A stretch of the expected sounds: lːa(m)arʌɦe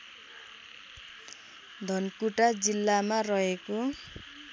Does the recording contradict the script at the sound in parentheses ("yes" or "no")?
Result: no